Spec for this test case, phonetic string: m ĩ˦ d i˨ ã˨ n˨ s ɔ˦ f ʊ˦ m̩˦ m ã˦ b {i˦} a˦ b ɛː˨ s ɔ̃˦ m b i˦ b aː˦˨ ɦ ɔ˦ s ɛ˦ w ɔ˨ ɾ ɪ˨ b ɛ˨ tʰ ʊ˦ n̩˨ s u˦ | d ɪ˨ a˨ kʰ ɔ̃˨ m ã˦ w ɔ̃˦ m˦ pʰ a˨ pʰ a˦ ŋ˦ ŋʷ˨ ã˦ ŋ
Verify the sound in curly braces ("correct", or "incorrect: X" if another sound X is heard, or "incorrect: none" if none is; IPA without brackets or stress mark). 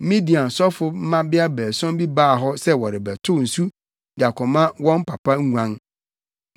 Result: incorrect: ɪ˦